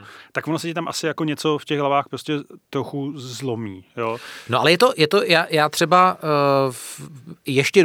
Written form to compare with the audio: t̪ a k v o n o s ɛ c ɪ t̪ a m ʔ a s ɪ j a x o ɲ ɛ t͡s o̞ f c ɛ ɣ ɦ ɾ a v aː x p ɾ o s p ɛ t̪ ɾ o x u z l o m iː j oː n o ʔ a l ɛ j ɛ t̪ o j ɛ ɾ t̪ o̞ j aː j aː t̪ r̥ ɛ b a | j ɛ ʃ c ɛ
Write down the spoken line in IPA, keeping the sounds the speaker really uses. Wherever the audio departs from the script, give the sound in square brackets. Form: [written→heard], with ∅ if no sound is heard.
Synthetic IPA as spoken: t̪ a k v o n o s ɛ c ɪ t̪ a m ʔ a s ɪ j a [x→k] o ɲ ɛ t͡s o̞ f c ɛ ɣ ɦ [ɾ→l] a v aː x p ɾ o s [p→c] ɛ t̪ ɾ o x u z l o m iː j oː n o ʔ a l ɛ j ɛ t̪ o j ɛ [ɾ→∅] t̪ o̞ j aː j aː t̪ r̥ ɛ b a | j ɛ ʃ c ɛ